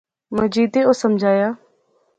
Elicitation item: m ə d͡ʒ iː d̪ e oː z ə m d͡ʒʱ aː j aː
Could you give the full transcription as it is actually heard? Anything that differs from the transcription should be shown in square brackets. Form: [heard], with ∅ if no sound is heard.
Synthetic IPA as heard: m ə d͡ʒ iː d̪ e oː [s] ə m d͡ʒʱ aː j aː